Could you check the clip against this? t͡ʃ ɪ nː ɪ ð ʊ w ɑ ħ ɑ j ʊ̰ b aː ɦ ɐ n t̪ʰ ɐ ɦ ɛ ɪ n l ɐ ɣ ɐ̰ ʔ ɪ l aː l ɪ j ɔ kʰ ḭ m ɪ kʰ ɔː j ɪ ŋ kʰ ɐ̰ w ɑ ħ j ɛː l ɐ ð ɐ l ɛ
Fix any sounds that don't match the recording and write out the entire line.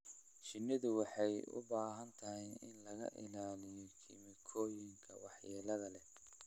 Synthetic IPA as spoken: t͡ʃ ɪ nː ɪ ð ʊ w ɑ ħ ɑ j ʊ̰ b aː ɦ ɐ n t̪ʰ ɐ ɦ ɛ ɪ n l ɐ ɣ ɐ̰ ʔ ɪ l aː l ɪ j ɔ kʰ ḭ m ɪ kʰ ɔː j ɪ ŋ kʰ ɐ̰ w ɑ ħ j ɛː l ɐ ð ɐ l ɛ